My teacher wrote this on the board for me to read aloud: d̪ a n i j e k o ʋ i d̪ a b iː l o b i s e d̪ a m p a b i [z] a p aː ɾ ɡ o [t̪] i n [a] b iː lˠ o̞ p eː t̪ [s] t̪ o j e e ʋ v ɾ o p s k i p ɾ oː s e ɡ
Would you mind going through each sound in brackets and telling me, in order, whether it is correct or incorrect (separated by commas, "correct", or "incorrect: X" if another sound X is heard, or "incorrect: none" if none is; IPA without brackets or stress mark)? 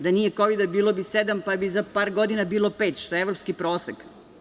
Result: correct, incorrect: d̪, correct, incorrect: ʃ